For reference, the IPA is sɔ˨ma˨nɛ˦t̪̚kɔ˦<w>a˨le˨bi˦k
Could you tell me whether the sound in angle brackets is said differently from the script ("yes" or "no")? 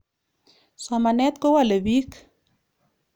no